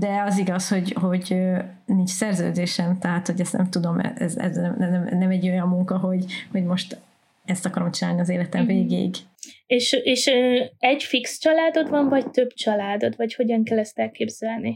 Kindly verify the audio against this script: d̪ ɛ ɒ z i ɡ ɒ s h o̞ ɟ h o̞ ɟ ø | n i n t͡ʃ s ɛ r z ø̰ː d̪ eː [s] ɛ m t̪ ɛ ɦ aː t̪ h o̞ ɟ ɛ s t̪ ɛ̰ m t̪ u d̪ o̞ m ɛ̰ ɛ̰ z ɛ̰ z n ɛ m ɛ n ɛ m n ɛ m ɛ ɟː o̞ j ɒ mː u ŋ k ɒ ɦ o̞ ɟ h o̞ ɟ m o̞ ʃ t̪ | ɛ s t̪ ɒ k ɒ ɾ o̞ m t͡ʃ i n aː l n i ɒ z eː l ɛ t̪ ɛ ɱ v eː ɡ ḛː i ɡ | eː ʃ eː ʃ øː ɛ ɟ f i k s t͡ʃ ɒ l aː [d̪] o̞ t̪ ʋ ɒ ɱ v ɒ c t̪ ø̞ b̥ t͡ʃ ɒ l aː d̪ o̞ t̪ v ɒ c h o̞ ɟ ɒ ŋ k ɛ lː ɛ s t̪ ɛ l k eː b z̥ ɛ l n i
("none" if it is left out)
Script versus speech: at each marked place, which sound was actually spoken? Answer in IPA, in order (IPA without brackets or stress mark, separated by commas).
ʃ, d̪